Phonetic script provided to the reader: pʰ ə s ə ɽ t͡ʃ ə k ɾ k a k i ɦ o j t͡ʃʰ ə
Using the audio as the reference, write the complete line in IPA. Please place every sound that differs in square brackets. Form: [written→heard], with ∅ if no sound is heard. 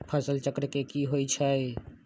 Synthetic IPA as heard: pʰ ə s ə [ɽ→l] t͡ʃ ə k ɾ k [a→e] k i ɦ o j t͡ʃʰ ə